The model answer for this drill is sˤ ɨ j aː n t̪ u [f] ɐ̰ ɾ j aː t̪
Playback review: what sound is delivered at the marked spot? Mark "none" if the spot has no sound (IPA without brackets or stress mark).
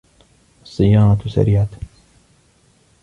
s